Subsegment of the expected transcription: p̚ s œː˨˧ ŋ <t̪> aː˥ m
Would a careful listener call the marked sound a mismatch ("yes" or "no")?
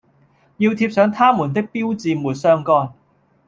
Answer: yes